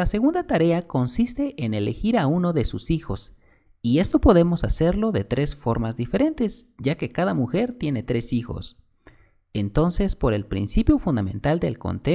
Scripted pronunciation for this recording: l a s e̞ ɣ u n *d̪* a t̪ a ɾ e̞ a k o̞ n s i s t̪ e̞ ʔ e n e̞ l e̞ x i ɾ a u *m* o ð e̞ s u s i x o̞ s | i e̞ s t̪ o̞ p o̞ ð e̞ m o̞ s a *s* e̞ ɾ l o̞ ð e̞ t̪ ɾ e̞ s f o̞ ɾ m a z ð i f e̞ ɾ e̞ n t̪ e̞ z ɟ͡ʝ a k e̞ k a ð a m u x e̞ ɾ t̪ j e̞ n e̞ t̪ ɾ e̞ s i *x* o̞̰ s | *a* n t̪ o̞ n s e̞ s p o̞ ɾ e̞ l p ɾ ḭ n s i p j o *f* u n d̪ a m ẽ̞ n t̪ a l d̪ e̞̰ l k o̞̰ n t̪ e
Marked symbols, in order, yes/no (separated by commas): yes, no, yes, yes, no, yes